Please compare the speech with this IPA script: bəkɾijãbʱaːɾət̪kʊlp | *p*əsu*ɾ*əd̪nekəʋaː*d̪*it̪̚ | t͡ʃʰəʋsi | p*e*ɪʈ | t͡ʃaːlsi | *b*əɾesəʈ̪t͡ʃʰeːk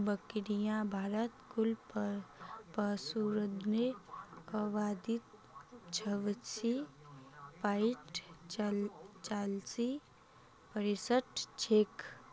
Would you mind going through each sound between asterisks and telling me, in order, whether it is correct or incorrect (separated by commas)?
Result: correct, correct, correct, incorrect, incorrect